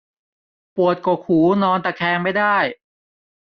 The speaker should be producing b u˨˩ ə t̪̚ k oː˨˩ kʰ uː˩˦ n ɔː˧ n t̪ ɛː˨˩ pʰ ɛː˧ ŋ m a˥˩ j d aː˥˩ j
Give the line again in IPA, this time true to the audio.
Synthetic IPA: p u˨˩ ə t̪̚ k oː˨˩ kʰ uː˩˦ n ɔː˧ n t̪ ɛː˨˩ kʰ ɛː˧ ŋ m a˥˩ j d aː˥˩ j